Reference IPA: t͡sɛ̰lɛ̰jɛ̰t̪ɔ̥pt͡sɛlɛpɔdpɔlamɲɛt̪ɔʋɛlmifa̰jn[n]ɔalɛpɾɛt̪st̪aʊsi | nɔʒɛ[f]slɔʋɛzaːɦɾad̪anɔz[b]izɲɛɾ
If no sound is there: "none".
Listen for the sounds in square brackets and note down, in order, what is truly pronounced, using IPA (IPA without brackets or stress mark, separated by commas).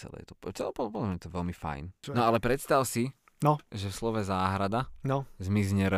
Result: n, f, m